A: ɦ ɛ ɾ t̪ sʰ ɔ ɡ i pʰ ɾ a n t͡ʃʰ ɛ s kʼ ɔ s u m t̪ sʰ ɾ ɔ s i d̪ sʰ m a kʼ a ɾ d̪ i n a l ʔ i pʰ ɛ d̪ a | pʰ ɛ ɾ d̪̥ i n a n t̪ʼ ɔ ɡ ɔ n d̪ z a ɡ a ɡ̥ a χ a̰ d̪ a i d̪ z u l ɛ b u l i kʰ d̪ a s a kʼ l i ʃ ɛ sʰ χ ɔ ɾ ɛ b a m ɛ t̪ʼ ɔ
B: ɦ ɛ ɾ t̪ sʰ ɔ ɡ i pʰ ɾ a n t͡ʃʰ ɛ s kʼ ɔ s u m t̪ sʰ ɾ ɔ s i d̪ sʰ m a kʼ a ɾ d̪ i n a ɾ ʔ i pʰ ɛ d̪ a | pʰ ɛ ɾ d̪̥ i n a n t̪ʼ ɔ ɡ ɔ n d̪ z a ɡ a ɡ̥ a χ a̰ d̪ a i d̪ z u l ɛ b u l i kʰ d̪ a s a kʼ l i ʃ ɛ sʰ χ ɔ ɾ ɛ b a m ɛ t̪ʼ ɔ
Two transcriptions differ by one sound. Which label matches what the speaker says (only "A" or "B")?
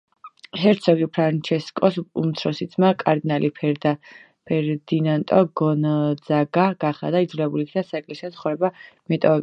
A